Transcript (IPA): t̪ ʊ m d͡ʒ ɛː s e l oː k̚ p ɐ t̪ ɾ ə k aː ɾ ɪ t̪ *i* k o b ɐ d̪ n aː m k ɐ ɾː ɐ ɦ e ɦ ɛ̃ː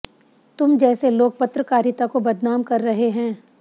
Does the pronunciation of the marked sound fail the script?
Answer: yes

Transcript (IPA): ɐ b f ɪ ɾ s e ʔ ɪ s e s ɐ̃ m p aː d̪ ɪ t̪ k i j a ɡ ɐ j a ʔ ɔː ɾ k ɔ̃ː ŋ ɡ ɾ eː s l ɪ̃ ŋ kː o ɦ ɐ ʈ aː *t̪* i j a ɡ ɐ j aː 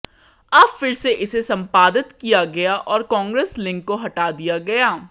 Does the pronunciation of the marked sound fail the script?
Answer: yes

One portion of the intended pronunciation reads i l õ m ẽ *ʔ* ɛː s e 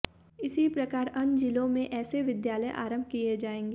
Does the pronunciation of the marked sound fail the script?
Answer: no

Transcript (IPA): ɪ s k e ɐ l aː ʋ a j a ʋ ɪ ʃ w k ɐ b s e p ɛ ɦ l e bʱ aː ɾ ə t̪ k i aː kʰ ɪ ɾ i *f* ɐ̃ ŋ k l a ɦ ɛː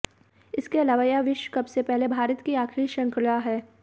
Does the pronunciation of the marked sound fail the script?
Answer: yes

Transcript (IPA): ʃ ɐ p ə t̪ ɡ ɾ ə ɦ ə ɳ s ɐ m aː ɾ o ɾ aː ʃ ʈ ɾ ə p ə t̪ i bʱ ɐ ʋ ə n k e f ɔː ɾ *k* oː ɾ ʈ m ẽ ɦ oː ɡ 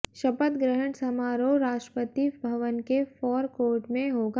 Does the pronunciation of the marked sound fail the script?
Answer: no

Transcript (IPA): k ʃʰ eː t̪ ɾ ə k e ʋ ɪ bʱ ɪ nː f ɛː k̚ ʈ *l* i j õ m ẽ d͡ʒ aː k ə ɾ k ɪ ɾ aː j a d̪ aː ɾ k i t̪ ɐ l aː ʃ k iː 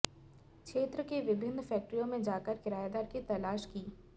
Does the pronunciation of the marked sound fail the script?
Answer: yes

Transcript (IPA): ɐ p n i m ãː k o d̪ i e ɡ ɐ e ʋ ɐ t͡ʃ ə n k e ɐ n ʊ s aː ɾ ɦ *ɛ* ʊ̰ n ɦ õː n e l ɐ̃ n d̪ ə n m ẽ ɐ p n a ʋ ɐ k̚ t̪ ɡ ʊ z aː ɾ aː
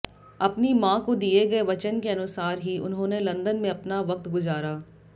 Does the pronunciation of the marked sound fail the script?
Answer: yes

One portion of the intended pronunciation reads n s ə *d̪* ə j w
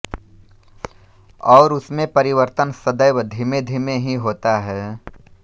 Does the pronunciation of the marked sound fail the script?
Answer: no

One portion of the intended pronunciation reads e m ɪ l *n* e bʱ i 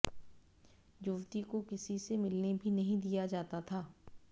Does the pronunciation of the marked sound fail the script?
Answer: no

